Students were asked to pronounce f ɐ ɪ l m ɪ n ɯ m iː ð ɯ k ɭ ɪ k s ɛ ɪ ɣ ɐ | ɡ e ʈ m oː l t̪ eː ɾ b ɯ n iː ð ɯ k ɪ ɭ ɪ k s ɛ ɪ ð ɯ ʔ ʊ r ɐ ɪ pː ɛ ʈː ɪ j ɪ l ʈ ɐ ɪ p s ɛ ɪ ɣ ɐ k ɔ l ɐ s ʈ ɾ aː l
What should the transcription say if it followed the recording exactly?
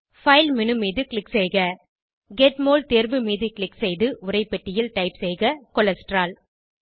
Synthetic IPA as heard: f ɐ ɪ l m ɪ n ɯ m iː ð ɯ k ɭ ɪ k s ɛ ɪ ɣ ɐ | ɡ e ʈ m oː l t̪ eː ɾ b ɯ m iː ð ɯ k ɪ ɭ ɪ k s ɛ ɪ ð ɯ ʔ ʊ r ɐ ɪ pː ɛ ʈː ɪ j ɪ l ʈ ɐ ɪ p s ɛ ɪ ɣ ɐ k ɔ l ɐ s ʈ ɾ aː l